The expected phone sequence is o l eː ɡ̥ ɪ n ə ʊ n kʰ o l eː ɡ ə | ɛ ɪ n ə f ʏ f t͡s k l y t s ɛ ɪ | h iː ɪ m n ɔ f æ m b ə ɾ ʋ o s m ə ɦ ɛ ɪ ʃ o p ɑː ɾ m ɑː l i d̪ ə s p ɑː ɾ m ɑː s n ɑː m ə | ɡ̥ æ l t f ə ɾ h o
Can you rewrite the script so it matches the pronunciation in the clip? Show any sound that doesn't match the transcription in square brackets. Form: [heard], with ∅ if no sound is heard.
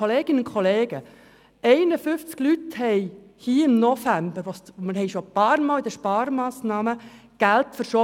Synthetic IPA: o l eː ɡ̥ ɪ n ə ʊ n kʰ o l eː ɡ ə | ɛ ɪ n ə f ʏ f t͡s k l y t [h] ɛ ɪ | h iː ɪ m n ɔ f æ m b ə ɾ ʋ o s m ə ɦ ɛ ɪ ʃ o p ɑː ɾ m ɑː l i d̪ ə [ʃ] p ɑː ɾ m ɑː s n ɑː m ə | ɡ̥ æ l t f ə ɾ [ʃ] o

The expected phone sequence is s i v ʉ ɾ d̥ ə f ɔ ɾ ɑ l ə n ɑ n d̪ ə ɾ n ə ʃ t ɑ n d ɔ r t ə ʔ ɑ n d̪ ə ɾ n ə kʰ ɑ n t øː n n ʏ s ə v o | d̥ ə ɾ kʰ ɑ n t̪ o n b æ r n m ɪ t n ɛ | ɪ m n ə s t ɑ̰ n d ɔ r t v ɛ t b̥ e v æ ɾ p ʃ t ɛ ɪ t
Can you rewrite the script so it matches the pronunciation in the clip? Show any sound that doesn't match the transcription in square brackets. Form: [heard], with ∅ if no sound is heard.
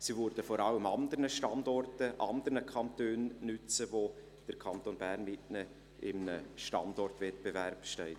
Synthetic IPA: s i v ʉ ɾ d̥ ə f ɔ ɾ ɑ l ə [m] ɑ n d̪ ə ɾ n ə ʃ t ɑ n d ɔ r t ə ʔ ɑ n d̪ ə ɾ n ə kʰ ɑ n t øː n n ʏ [t͡s] ə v o | d̥ ə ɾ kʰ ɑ n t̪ o n b æ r n m ɪ t n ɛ | ɪ m n ə [ʃ] t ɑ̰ n d ɔ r t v ɛ t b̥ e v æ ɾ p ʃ t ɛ ɪ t

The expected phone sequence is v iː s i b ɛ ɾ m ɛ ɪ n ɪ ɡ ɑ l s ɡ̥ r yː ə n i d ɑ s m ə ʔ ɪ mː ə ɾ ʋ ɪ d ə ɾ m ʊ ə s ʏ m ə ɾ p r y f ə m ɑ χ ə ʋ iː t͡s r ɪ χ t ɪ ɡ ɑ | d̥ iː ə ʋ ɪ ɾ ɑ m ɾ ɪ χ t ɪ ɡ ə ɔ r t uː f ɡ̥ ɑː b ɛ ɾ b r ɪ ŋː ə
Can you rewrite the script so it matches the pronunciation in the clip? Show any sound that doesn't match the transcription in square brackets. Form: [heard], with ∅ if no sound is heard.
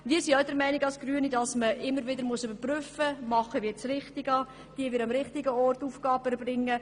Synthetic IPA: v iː s i [d] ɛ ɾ m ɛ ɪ n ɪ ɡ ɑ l s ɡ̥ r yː ə n i d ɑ s m ə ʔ ɪ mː ə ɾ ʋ ɪ d ə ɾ m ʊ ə s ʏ [b] ə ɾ p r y f ə m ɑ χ ə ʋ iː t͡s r ɪ χ t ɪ ɡ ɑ | d̥ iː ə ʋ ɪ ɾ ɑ m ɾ ɪ χ t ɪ ɡ ə ɔ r t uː f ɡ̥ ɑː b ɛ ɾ b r ɪ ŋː ə

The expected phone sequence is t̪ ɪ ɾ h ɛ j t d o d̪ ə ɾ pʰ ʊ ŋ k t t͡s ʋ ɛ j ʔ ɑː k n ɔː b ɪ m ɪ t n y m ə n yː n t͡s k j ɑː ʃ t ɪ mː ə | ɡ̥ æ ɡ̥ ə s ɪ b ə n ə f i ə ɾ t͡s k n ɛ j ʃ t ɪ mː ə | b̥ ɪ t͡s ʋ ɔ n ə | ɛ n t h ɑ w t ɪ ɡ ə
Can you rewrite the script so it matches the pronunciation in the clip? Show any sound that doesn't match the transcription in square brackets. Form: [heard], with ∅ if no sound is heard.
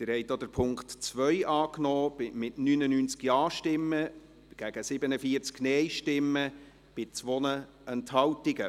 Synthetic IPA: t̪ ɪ ɾ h ɛ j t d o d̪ ə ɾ pʰ ʊ ŋ k t t͡s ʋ [œ] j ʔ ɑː k n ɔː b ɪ m ɪ t n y [n] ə n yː n t͡s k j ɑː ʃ t ɪ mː ə | ɡ̥ æ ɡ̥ ə s ɪ b ə n ə f i ə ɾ t͡s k n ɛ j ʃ t ɪ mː ə | b̥ ɪ t͡s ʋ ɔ n ə | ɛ n t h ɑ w t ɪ ɡ ə

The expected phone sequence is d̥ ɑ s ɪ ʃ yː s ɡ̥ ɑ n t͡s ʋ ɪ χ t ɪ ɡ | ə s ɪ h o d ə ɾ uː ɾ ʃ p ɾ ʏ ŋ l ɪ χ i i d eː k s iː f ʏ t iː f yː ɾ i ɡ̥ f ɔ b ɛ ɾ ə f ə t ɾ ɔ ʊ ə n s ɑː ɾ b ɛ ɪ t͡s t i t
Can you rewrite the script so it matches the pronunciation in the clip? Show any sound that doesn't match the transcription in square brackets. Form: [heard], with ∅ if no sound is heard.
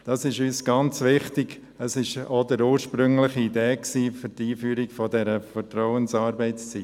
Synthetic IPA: d̥ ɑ s ɪ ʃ yː s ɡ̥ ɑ n t͡s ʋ ɪ χ t ɪ ɡ | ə s ɪ [ʃ] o d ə ɾ uː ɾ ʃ p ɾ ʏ ŋ l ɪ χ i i d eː k s iː f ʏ t iː f yː ɾ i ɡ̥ f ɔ [d] ɛ ɾ ə f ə t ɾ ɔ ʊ ə n s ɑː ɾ b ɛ ɪ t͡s [t͡s] i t

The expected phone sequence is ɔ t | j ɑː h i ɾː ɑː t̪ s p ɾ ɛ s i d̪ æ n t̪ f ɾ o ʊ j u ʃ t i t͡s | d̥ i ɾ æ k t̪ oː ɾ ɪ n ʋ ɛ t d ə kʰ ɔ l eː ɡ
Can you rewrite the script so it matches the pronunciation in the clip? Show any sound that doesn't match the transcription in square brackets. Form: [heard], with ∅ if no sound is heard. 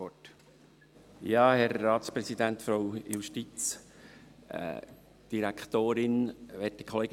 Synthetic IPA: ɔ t | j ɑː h [ɛ] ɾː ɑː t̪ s p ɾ ɛ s i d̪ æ n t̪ f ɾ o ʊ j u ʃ t i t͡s | d̥ i ɾ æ k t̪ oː ɾ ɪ n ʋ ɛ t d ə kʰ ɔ l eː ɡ

